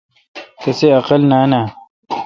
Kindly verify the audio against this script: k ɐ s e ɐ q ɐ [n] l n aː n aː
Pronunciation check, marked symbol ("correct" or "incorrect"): incorrect